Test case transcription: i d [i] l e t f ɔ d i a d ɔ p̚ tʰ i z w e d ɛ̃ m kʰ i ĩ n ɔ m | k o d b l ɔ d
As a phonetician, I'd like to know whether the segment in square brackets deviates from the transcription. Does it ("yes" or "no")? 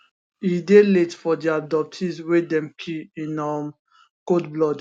yes